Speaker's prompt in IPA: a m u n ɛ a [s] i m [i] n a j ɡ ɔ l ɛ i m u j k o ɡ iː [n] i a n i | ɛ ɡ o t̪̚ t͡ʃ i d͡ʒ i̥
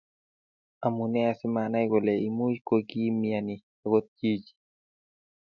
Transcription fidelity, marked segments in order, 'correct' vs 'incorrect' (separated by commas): correct, incorrect, incorrect